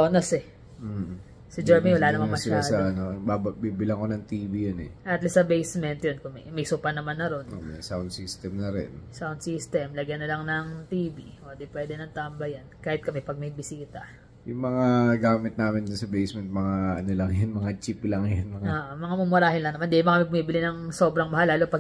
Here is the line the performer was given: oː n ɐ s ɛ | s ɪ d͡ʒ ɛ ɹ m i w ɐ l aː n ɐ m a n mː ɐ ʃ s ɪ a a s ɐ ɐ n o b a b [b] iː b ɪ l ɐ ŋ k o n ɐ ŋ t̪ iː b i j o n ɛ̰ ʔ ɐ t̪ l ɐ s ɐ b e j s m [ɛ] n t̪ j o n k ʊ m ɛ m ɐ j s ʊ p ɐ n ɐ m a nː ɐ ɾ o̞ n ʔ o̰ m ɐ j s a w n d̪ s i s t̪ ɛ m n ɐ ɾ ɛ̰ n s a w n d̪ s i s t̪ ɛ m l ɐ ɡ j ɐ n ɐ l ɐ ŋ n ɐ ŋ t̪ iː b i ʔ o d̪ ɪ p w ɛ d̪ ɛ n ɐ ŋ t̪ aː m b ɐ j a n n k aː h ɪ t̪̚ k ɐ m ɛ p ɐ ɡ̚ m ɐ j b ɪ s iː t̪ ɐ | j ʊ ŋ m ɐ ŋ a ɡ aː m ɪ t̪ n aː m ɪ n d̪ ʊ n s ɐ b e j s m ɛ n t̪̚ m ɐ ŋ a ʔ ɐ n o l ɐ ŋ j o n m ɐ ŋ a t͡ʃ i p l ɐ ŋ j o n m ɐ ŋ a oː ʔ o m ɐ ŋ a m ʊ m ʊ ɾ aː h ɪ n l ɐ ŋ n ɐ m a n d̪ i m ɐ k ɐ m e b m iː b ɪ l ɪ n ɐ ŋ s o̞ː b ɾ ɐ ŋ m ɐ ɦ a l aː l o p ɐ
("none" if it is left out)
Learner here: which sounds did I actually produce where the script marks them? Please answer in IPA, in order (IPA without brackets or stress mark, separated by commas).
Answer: b, ɛ